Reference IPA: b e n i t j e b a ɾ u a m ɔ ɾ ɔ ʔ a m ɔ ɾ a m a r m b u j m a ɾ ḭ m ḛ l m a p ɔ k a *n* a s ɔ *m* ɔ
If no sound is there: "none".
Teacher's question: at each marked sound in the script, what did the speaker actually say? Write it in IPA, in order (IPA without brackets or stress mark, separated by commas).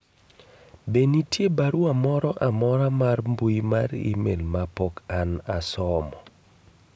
n, m